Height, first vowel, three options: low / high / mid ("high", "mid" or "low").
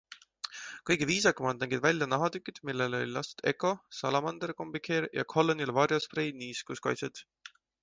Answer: mid